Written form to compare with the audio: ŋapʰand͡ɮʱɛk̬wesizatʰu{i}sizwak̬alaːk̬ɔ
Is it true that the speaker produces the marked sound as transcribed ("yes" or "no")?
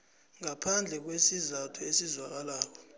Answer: no